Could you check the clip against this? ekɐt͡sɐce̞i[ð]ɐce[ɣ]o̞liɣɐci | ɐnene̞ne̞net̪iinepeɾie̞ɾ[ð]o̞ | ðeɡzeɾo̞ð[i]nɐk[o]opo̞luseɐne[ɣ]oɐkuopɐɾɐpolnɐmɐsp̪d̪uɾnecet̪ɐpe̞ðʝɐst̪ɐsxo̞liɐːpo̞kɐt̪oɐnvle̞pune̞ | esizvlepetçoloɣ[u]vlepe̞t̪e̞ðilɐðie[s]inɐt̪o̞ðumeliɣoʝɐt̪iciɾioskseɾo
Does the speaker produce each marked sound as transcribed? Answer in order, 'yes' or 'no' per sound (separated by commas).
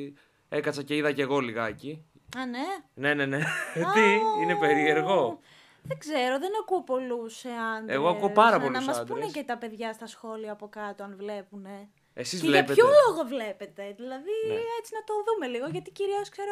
yes, yes, no, no, no, yes, no, no